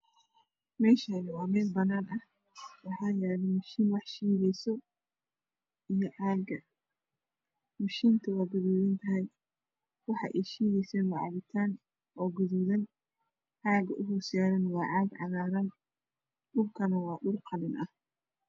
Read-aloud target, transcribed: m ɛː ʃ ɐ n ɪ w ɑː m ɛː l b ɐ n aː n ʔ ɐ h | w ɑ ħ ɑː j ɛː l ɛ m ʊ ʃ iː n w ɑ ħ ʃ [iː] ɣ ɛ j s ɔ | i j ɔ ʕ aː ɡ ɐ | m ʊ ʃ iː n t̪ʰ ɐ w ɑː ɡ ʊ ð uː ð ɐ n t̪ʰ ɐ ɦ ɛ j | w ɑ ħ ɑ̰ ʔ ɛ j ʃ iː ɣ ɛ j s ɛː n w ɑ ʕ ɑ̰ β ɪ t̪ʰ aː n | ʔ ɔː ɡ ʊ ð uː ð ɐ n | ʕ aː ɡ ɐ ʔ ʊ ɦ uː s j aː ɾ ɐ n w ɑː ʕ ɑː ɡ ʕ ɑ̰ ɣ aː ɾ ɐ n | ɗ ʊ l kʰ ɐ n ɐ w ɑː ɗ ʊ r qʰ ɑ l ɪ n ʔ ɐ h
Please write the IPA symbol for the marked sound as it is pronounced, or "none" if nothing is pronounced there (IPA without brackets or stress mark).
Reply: iː